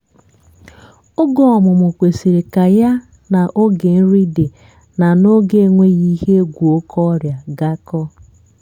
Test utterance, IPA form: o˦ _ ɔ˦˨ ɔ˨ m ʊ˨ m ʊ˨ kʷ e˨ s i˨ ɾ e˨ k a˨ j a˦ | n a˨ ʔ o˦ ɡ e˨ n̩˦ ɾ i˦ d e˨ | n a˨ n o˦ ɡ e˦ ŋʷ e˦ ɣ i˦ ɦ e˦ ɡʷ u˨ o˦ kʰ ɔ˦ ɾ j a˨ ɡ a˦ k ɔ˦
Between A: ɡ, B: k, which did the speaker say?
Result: A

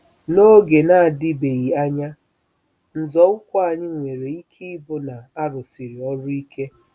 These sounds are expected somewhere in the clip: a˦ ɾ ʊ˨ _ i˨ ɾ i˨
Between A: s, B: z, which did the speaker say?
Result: A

